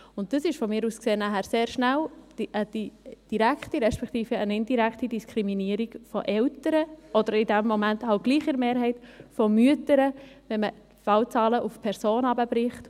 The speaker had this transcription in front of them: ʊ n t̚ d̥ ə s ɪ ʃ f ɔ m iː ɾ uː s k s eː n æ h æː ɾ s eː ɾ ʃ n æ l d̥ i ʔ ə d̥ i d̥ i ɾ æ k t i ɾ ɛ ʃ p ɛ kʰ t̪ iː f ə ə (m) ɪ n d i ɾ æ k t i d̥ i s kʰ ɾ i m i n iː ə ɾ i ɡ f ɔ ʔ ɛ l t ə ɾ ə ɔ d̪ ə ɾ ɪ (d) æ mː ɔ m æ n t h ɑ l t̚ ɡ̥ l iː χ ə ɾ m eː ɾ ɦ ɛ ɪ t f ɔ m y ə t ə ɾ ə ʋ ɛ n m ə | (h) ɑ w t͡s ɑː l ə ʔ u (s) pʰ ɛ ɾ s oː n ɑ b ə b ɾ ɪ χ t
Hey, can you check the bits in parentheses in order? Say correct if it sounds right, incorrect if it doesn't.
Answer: incorrect: n, correct, incorrect: f, incorrect: f

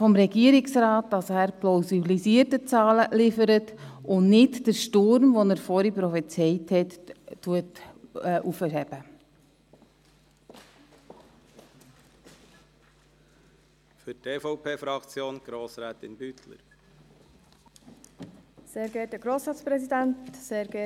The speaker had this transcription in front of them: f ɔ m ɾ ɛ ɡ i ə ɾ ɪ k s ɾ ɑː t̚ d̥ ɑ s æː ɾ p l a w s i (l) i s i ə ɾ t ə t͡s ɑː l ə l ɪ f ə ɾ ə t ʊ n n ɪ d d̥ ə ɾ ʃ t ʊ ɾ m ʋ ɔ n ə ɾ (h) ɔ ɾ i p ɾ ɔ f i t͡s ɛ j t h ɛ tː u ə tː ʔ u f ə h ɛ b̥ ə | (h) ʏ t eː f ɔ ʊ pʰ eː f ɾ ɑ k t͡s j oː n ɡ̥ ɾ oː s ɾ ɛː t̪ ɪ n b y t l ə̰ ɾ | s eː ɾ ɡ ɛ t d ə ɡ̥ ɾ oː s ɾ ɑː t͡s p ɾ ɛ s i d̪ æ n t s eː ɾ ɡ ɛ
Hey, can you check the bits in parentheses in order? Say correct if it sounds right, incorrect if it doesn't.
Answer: correct, incorrect: f, incorrect: f

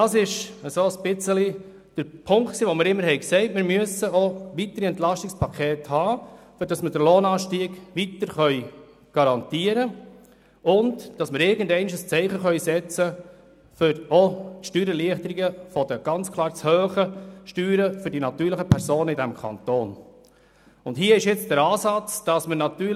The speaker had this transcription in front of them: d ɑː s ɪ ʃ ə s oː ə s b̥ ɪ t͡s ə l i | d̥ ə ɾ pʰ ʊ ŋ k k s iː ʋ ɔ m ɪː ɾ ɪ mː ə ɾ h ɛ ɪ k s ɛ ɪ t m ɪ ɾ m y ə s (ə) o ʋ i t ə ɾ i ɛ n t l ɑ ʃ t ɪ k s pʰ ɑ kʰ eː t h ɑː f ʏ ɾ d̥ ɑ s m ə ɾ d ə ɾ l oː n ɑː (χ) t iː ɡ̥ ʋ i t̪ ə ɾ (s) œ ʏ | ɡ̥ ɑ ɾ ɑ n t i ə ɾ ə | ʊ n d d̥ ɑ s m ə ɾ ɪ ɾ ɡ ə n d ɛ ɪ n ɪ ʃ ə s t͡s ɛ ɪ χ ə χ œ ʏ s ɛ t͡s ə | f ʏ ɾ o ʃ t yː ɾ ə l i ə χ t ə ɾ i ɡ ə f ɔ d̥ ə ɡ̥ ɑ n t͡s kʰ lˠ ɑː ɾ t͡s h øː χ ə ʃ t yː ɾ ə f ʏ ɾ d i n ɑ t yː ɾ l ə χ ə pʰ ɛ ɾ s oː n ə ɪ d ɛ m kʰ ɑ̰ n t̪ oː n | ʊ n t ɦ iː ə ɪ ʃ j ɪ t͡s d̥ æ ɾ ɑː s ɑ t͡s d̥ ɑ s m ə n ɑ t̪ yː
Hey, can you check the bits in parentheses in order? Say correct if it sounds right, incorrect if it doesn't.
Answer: correct, incorrect: ʃ, incorrect: χ

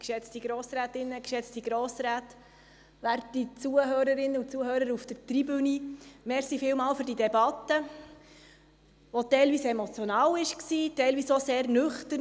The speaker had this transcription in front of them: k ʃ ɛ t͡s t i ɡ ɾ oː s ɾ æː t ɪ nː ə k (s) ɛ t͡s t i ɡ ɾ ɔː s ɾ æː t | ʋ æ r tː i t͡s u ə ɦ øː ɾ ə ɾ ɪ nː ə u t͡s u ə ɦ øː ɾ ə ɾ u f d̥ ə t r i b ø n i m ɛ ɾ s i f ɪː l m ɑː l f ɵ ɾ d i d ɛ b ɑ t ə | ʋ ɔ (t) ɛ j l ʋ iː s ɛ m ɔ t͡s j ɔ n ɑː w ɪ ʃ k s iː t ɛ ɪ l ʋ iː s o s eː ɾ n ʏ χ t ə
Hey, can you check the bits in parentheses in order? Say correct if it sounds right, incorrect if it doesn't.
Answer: incorrect: ʃ, correct

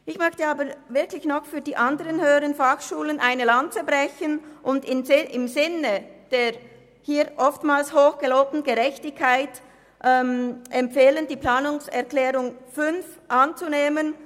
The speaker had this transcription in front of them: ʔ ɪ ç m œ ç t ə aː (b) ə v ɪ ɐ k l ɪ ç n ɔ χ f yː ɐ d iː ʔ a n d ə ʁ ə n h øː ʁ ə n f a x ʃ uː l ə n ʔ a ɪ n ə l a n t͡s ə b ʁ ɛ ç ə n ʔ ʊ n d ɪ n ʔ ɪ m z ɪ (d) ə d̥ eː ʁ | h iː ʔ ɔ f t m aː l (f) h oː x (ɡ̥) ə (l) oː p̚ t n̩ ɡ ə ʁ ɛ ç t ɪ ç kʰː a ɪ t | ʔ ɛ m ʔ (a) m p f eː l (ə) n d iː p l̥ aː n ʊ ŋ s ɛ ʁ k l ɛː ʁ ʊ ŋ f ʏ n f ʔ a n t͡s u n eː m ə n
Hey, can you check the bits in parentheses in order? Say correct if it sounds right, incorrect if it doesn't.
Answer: correct, incorrect: n, incorrect: s, correct, correct, incorrect: ɛ, correct

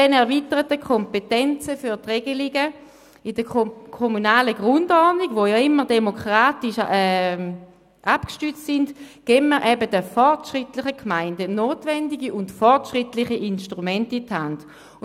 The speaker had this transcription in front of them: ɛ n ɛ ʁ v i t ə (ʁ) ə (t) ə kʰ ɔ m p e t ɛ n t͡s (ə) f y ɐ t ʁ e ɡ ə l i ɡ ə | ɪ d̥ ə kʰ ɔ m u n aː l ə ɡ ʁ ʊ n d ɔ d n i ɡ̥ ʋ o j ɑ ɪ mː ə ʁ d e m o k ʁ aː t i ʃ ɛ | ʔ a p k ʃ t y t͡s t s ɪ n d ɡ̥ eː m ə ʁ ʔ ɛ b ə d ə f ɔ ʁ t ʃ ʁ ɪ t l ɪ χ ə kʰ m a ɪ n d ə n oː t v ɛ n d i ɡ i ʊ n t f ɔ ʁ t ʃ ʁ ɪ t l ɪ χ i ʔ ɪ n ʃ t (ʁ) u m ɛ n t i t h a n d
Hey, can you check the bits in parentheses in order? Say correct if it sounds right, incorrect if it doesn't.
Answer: correct, correct, correct, correct

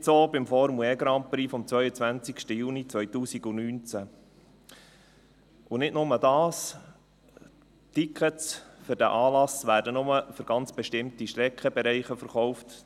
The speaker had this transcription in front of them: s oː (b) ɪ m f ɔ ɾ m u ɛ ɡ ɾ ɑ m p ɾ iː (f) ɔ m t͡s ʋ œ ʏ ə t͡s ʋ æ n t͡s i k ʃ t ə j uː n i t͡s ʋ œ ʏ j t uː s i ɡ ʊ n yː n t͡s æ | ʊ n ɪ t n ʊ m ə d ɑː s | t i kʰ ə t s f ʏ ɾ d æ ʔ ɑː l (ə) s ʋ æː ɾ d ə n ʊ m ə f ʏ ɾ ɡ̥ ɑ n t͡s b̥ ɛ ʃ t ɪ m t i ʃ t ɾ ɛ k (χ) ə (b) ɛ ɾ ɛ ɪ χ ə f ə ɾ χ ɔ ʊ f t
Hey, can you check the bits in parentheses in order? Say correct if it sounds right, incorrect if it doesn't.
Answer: correct, correct, incorrect: ɑ, correct, correct

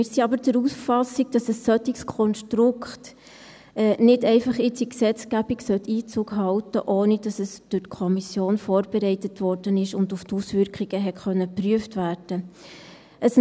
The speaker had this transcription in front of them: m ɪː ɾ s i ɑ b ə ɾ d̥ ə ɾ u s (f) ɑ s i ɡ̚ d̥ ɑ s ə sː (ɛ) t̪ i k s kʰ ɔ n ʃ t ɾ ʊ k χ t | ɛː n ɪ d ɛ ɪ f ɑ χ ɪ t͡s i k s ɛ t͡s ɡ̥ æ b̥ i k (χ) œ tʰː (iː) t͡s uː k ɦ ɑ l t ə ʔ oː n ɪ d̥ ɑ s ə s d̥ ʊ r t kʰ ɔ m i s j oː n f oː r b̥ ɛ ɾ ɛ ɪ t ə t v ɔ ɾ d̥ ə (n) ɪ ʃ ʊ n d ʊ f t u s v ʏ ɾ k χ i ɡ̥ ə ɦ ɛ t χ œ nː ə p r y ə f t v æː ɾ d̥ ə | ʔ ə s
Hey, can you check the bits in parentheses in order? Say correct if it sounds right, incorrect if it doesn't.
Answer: correct, incorrect: œ, incorrect: s, correct, correct

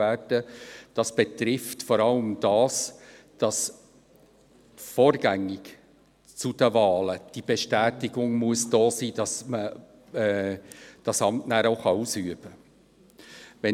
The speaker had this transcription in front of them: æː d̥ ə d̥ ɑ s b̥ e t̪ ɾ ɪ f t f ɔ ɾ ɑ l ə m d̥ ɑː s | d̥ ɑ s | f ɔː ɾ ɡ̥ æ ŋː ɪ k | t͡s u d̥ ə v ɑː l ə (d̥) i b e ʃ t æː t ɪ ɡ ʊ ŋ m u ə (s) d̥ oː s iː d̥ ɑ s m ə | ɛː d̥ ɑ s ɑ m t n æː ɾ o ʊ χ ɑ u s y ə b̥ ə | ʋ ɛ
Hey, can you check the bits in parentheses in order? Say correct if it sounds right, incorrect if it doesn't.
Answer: correct, correct

